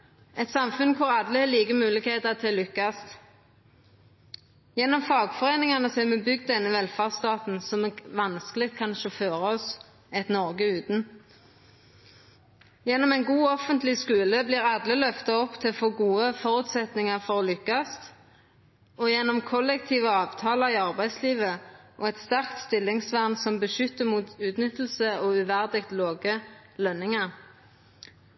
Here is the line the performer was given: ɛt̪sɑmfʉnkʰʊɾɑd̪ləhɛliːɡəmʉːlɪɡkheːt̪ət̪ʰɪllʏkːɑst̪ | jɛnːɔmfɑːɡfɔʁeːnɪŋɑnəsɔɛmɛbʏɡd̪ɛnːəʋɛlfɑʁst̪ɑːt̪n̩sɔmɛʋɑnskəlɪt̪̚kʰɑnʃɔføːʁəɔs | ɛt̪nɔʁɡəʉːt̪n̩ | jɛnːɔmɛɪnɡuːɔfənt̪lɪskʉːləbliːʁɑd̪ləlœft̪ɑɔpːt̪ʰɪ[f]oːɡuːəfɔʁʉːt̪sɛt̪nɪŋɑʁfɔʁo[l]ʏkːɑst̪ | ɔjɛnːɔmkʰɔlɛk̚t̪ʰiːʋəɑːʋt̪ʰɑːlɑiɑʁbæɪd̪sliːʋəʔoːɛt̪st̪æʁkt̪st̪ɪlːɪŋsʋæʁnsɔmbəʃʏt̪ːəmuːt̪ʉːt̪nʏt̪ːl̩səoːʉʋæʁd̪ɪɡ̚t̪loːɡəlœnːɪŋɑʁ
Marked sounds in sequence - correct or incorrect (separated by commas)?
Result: correct, correct